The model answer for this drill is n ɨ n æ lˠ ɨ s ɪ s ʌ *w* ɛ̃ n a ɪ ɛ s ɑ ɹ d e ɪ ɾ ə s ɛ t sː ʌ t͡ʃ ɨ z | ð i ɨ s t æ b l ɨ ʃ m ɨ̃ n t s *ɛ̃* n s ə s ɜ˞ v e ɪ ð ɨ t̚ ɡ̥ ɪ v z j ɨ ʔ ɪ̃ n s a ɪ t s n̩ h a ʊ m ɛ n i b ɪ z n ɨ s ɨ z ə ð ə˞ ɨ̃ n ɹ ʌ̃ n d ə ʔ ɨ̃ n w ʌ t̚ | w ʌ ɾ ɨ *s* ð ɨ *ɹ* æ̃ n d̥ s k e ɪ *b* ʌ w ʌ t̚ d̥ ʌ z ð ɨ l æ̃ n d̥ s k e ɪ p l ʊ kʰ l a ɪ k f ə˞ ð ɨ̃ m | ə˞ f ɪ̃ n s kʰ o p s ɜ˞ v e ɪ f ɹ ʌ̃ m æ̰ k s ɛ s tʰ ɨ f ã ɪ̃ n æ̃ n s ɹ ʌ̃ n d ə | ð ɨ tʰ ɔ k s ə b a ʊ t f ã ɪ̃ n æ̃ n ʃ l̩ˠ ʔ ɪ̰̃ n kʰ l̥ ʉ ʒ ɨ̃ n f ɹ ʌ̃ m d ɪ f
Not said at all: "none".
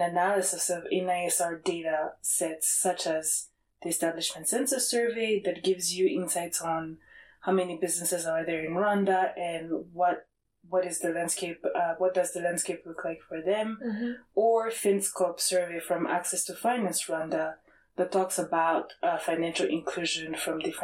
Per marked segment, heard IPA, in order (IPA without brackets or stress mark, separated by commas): v, ɛ̃, z, l, p